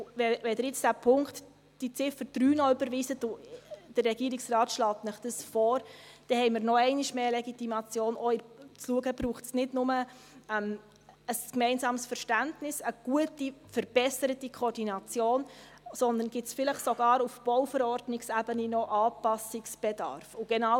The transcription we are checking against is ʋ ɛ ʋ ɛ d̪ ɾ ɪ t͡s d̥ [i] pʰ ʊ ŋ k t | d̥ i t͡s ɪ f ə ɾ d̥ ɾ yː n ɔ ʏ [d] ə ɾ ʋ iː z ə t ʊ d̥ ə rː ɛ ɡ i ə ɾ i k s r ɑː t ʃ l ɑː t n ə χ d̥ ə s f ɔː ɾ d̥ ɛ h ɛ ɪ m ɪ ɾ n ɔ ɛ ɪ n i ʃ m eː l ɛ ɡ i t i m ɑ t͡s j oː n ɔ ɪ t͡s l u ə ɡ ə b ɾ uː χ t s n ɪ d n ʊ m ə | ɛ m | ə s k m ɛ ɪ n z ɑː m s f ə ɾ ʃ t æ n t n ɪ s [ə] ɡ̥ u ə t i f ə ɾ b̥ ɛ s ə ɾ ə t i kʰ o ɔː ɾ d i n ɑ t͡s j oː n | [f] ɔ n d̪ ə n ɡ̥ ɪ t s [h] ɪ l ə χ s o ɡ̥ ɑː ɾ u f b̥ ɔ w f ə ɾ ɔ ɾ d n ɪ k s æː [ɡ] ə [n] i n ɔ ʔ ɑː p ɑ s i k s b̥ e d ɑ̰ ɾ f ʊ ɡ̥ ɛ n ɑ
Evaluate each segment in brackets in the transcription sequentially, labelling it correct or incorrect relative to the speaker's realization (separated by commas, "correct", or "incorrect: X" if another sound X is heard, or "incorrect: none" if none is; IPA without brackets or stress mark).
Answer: incorrect: æ, incorrect: b, correct, incorrect: s, incorrect: f, incorrect: b, correct